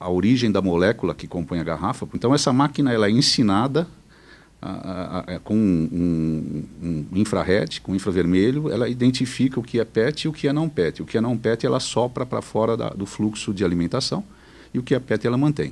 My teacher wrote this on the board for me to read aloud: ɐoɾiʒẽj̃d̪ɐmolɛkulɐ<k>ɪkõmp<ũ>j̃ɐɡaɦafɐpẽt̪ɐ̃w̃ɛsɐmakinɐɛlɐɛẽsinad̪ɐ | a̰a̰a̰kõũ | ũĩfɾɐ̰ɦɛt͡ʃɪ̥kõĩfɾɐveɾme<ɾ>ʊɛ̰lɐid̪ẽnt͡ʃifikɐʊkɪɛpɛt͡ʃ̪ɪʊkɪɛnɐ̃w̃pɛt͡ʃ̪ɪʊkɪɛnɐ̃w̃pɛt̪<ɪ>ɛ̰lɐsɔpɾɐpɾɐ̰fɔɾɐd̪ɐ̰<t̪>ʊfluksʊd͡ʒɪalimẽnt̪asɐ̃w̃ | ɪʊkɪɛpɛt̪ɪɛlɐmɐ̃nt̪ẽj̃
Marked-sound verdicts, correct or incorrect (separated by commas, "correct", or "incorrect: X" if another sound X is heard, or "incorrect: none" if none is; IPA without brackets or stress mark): correct, incorrect: õ, incorrect: ʎ, correct, incorrect: d̪